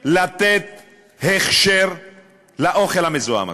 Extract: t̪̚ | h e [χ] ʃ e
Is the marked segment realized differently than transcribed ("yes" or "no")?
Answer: no